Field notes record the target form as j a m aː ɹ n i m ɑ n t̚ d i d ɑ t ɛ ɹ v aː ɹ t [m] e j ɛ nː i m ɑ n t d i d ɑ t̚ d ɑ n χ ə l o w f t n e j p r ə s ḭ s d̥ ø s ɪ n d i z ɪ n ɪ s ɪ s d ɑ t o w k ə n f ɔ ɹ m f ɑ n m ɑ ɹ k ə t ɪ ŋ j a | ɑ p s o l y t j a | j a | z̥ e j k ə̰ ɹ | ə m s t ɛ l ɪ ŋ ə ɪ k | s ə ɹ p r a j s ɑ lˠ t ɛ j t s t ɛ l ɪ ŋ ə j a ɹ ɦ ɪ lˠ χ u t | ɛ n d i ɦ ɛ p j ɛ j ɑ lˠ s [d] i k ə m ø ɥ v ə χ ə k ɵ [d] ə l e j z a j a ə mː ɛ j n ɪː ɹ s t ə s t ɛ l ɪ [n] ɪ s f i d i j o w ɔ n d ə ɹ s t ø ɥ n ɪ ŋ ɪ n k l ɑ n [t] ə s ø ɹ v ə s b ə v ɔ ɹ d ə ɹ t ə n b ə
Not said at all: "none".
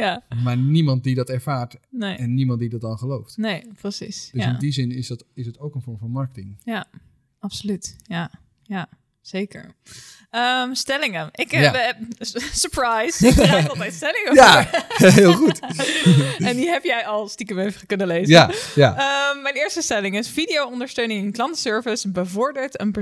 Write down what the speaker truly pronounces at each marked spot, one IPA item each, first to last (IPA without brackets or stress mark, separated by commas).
n, t, n, ŋ, t